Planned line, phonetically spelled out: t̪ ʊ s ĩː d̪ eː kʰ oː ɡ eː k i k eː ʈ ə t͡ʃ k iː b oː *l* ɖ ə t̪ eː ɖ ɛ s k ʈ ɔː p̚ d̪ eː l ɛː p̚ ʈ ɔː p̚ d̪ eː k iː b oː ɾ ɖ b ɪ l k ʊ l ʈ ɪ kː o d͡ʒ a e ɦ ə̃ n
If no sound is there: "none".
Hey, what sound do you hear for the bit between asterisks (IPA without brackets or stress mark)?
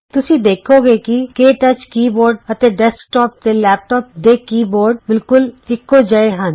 ɾ